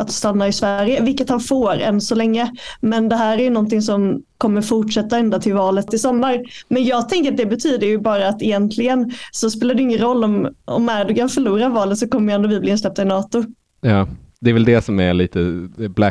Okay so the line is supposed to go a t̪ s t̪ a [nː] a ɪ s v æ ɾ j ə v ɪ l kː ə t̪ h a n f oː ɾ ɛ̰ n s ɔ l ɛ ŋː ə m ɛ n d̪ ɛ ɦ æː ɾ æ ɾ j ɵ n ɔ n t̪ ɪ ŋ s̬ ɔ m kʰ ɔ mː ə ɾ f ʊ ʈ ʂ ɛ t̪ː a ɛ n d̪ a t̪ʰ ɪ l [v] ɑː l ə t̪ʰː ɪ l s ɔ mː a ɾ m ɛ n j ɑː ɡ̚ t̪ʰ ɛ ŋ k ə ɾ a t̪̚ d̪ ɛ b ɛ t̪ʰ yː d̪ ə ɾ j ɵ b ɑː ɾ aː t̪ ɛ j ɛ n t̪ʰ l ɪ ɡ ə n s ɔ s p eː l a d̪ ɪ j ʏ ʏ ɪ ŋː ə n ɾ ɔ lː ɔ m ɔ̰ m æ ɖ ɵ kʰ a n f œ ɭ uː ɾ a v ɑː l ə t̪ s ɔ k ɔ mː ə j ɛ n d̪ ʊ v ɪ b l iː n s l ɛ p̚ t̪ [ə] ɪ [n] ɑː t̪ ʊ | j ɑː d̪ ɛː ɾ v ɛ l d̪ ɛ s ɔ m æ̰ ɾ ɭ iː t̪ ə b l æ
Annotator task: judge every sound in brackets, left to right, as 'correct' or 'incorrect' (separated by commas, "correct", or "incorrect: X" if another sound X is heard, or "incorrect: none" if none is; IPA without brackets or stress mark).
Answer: correct, correct, incorrect: a, correct